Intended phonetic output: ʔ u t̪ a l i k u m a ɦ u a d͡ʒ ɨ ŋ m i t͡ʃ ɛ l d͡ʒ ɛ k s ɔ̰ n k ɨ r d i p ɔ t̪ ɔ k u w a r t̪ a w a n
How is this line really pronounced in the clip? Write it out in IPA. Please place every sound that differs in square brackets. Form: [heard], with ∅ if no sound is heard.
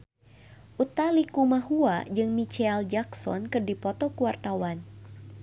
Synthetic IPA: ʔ u t̪ a l i k u m a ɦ u a d͡ʒ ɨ ŋ m i t͡ʃ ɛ l d͡ʒ [a] k s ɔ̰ n k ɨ r d i p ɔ t̪ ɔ k u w a r t̪ a w a n